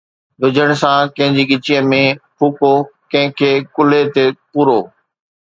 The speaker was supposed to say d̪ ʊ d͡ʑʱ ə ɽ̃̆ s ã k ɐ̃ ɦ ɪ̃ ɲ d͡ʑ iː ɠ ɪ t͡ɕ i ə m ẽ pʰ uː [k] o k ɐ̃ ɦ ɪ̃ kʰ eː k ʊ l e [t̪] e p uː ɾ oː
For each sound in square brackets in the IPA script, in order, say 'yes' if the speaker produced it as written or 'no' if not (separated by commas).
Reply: yes, yes